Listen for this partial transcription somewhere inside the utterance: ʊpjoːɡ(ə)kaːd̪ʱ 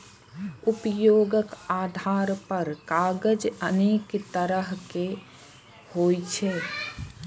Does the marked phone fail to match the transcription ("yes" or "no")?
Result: no